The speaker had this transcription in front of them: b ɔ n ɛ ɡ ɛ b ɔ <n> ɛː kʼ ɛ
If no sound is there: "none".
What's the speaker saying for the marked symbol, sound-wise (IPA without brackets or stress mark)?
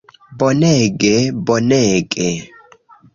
n